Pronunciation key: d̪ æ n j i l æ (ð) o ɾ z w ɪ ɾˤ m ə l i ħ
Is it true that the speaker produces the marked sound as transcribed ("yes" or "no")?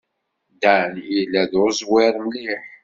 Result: yes